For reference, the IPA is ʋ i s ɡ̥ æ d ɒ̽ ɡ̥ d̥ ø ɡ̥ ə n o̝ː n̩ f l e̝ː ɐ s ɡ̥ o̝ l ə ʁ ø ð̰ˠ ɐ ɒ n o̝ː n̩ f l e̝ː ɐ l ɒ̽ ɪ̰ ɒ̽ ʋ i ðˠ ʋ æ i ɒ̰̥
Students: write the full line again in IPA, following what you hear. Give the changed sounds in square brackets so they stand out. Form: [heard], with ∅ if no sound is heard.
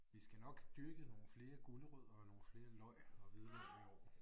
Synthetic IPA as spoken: ʋ i s ɡ̥ æ [n] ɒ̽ ɡ̥ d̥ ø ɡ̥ ə n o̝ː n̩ f l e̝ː ɐ [∅] ɡ̥ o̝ l ə ʁ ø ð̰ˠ ɐ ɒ n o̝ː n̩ f l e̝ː ɐ l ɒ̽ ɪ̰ ɒ̽ ʋ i ðˠ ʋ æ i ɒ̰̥